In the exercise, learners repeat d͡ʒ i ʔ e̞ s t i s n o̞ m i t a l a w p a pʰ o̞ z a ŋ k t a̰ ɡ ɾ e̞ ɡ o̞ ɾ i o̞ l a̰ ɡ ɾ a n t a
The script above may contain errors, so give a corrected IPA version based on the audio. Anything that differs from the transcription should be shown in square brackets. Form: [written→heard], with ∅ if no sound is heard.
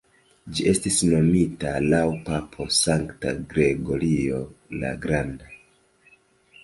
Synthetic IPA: d͡ʒ i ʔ e̞ s t i s n o̞ m i t a l a w p a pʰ o̞ [z→s] a ŋ k t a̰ ɡ ɾ e̞ ɡ o̞ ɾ i o̞ l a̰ ɡ ɾ a n [t→d] a